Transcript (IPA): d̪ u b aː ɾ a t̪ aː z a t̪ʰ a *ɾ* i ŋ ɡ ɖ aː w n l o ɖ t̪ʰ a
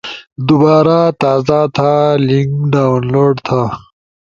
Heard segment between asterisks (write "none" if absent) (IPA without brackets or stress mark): l